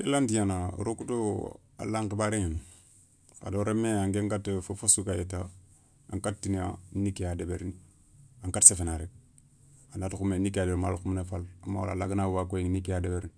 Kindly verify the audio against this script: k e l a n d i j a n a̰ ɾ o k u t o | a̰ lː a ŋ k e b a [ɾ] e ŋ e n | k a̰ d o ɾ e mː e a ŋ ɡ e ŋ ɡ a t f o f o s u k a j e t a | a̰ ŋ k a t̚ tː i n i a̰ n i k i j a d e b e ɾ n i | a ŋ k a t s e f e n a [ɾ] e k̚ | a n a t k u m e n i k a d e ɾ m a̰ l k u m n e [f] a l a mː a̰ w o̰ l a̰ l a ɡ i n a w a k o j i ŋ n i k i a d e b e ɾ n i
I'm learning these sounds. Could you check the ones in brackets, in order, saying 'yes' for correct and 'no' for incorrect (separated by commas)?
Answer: yes, yes, yes